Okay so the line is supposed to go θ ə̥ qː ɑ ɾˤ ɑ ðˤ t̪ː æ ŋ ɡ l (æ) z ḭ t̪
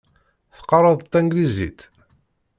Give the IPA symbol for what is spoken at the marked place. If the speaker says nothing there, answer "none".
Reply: i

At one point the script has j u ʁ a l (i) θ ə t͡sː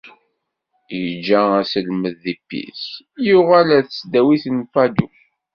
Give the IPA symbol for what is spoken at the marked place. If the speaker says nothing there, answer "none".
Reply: æ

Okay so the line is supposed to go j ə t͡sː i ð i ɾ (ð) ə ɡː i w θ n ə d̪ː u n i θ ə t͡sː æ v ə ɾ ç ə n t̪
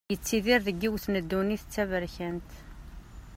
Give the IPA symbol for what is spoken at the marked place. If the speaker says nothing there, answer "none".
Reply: ð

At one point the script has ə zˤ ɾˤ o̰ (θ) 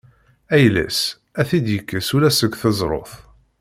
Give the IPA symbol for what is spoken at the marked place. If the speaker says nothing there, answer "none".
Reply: θ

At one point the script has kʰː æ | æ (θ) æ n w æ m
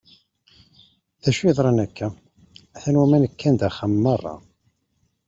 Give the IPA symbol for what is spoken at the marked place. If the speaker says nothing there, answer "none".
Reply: θ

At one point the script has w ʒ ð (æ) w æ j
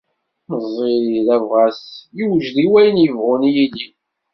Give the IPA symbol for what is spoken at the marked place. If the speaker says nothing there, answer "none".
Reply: i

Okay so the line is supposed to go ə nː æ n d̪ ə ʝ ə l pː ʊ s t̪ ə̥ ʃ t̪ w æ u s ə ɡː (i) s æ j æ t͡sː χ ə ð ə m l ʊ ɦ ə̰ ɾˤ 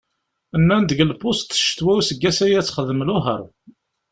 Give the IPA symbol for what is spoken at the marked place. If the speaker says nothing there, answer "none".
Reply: æ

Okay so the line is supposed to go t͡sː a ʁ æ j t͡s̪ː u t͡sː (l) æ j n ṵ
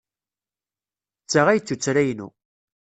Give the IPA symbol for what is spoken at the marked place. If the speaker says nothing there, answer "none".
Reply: ɾ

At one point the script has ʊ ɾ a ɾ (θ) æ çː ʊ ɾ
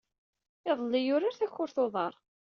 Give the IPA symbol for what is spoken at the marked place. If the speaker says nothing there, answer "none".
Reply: θ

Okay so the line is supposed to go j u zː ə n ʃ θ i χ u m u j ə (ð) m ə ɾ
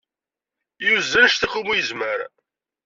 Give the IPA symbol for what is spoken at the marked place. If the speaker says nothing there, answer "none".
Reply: z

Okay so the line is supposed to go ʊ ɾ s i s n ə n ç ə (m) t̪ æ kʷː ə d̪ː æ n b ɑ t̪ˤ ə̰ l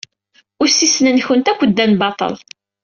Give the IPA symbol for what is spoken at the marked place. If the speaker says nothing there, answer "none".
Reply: n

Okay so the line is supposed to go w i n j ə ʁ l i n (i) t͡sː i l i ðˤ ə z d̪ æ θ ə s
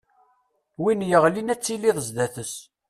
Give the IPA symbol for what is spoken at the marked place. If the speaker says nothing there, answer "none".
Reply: æ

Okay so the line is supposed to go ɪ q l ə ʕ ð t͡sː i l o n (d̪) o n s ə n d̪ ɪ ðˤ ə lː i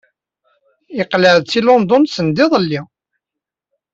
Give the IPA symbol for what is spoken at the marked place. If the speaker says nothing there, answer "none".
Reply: d̪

